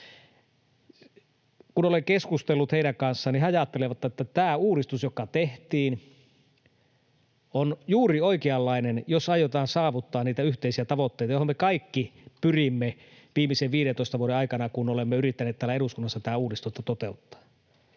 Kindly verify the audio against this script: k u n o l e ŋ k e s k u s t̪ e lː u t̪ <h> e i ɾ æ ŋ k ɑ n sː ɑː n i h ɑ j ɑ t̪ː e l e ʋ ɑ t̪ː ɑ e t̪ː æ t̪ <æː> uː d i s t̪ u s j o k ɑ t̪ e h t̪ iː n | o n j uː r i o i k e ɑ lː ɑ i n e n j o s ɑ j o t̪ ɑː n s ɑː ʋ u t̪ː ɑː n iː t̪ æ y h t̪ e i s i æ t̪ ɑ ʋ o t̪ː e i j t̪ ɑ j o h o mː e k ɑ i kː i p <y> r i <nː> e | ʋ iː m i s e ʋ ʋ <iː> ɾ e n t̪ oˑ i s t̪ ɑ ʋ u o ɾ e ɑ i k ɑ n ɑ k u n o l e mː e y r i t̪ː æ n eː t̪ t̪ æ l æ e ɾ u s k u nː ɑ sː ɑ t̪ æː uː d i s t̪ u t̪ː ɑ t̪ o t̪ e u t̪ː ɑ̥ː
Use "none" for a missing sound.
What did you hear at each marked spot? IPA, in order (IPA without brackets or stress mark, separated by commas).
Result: h, æː, y, mː, iː